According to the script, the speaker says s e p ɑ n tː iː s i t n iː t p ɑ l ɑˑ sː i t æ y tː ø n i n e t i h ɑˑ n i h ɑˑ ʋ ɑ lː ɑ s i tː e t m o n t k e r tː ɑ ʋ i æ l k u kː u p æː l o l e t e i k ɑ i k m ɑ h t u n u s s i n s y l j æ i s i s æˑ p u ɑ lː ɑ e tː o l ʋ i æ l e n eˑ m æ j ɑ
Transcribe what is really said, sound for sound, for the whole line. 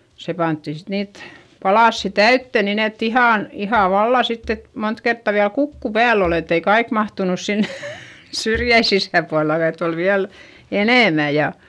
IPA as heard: s e p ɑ n tː i s i t n iː t p ɑ l ɑˑ sː i t æ y tː ø n i n e t i h ɑˑ n i h ɑˑ ʋ ɑ lː ɑ s i tː e t m o n t k e r tː ɑ ʋ i æ l k u kː u p æː l o l e t e i k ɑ i k m ɑ h t u n u s s i n s y r j æ i s i s æˑ p u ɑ lː ɑ e tː o l ʋ i æ l e n eˑ m æ j ɑ